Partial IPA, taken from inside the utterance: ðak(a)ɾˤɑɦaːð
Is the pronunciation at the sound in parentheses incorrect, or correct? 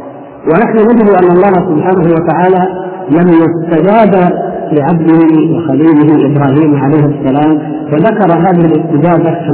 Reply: incorrect